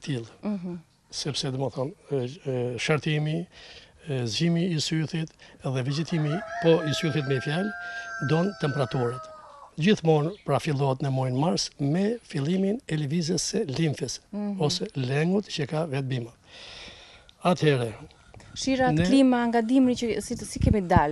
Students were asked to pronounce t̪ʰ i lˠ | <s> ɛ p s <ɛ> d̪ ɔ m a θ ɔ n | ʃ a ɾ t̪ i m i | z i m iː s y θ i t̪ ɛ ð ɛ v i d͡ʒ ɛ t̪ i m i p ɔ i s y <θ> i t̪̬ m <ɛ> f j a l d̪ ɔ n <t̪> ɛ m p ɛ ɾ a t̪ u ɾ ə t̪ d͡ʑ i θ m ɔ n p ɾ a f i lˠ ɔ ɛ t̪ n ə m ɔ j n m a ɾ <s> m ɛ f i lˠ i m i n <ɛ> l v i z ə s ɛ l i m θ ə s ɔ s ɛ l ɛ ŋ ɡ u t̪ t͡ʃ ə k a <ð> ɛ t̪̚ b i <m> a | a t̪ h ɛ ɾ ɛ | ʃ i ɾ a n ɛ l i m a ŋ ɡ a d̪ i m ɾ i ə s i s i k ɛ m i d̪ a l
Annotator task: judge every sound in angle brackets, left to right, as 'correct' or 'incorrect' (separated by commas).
correct, correct, correct, correct, correct, correct, correct, incorrect, correct